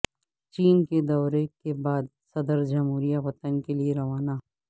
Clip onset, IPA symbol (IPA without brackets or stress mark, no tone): t͡ʃ